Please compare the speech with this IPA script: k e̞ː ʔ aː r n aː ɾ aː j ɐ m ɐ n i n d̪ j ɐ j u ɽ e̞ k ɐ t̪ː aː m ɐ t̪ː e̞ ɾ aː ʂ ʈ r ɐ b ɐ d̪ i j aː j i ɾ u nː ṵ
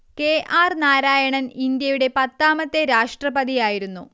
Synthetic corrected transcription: k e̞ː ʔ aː r n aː ɾ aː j ɐ ɳ ɐ n i n d̪ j ɐ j u ɽ e̞ p ɐ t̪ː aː m ɐ t̪ː e̞ ɾ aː ʂ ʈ r ɐ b ɐ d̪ i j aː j i ɾ u nː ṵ